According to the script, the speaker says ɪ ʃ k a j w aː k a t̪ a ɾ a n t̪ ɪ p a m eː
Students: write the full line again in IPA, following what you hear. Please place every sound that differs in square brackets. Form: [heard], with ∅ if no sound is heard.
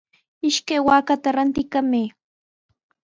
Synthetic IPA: ɪ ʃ k a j w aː k a t̪ a ɾ a n t̪ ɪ [k] a m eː